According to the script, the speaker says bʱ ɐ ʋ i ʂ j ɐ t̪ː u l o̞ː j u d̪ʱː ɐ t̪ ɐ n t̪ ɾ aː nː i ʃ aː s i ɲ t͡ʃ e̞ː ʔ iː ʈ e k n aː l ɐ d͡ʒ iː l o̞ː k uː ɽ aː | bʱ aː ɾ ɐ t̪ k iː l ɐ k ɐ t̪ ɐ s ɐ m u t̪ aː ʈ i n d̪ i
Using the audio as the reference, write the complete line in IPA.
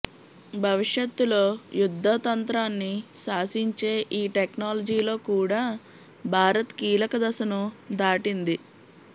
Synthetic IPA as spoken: bʱ ɐ ʋ i ʂ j ɐ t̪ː u l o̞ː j u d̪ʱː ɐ t̪ ɐ n t̪ ɾ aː nː i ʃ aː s i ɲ t͡ʃ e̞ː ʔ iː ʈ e k n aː l ɐ d͡ʒ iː l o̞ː k uː ɽ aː | bʱ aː ɾ ɐ t̪ k iː l ɐ k ɐ d̪ ɐ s ɐ n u d̪ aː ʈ i n d̪ i